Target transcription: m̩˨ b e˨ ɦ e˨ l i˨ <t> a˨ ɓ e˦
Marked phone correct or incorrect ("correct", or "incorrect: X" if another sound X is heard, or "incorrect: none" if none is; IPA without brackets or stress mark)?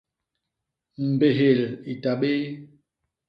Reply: correct